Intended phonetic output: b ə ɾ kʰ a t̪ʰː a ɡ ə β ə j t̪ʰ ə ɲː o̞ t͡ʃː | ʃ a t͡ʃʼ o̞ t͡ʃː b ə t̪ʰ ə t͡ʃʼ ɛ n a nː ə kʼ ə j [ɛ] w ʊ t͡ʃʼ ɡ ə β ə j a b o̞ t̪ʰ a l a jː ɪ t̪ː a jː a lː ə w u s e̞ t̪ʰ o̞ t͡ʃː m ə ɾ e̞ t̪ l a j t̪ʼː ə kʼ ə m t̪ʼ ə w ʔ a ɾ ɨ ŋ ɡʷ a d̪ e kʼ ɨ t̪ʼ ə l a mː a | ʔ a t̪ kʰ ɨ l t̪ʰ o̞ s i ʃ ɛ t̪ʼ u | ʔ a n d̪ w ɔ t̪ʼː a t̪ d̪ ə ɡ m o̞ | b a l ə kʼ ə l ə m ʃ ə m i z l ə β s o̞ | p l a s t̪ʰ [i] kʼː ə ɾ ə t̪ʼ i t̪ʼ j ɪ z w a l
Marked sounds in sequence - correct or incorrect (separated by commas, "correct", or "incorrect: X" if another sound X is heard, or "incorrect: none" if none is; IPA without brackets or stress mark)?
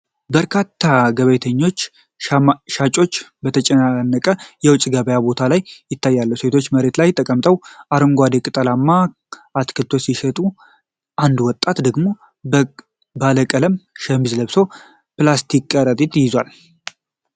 correct, correct